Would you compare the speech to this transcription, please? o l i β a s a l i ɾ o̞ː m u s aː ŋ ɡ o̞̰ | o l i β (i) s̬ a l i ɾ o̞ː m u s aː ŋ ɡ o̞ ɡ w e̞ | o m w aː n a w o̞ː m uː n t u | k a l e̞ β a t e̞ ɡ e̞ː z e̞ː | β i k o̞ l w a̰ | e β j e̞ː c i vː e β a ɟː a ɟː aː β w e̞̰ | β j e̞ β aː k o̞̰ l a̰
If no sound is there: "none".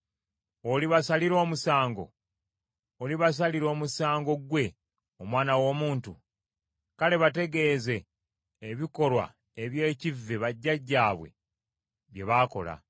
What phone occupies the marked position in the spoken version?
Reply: a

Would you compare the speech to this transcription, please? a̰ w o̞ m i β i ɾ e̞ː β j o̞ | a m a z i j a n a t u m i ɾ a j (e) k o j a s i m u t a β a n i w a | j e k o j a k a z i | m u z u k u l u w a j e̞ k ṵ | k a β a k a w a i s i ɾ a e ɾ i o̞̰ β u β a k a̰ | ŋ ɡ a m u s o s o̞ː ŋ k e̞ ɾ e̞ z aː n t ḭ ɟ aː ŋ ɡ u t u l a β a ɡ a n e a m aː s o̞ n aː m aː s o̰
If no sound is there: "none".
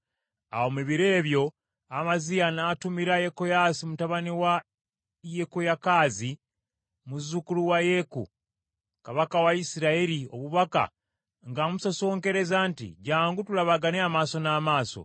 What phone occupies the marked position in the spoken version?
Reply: e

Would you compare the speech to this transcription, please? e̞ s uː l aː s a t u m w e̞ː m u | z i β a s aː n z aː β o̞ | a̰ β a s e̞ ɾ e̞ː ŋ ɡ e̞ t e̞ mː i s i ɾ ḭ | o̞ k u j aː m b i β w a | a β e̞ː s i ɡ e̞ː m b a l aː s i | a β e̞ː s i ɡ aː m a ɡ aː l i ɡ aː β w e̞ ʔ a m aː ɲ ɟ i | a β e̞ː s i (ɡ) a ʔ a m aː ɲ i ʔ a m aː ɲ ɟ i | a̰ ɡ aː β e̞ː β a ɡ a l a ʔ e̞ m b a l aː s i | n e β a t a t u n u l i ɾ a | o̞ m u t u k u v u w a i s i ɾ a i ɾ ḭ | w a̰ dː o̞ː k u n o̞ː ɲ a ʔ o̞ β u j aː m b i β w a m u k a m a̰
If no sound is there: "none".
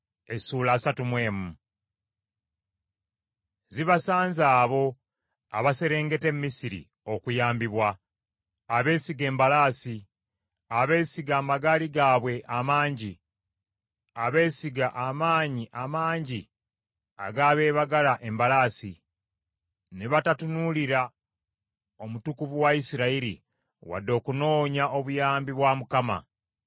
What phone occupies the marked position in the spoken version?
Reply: ɡ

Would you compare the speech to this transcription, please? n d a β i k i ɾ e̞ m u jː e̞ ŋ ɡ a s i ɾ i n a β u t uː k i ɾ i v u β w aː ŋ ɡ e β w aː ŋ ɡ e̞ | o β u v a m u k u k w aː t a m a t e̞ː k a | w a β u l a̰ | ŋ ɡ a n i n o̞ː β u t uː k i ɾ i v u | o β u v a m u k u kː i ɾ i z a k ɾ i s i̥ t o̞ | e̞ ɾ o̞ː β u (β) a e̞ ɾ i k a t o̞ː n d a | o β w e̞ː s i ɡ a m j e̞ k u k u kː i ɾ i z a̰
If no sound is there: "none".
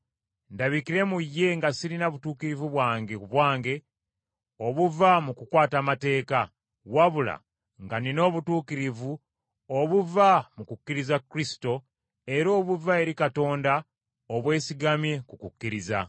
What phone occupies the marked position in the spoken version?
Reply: v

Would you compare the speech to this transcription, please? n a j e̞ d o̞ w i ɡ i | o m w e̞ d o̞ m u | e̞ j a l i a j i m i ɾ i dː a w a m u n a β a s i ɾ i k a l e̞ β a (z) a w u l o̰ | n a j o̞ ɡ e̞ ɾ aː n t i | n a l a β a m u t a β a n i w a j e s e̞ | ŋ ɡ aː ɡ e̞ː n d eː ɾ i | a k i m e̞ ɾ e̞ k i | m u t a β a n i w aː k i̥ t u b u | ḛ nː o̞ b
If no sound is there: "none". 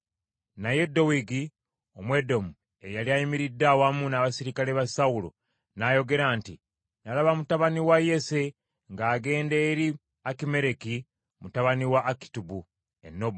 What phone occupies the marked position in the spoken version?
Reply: s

